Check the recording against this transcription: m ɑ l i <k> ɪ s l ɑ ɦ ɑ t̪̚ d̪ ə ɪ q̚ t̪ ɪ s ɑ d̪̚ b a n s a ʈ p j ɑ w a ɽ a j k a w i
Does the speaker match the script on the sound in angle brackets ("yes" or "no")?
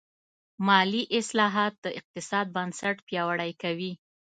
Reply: no